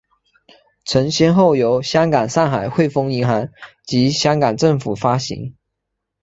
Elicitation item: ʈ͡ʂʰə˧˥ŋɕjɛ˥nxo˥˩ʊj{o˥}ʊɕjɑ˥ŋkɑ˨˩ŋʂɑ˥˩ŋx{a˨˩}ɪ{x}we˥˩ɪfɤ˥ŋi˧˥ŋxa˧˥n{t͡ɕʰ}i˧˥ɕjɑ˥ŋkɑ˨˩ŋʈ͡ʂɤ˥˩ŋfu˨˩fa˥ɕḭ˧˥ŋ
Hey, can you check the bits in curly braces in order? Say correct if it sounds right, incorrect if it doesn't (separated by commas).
incorrect, correct, correct, incorrect